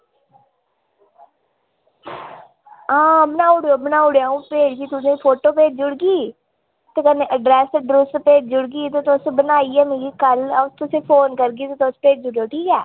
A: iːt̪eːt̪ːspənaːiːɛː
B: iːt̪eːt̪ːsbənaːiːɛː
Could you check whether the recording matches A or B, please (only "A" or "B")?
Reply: B